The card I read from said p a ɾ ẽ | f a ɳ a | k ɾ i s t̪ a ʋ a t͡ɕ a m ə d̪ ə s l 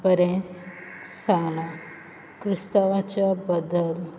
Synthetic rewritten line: p ə ɾ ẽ | s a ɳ a | k ɾ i s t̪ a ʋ a t͡ɕ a b ə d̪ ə l